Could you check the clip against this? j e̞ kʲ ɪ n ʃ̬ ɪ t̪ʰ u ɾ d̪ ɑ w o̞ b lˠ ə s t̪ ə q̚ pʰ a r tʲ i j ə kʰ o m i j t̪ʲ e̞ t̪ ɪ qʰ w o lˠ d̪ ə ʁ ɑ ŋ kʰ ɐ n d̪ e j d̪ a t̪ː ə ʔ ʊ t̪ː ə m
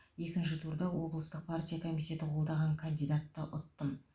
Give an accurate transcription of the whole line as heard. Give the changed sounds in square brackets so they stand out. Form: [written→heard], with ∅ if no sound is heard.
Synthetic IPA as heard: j e̞ kʲ ɪ n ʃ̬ ɪ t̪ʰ u ɾ d̪ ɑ w o̞ b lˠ ə s t̪ ə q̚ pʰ a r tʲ i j [ə→a] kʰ o m i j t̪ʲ e̞ t̪ ɪ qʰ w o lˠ d̪ [ə→ɑ] ʁ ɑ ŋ kʰ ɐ n d̪ [e→i] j d̪ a t̪ː ə ʔ ʊ t̪ː ə m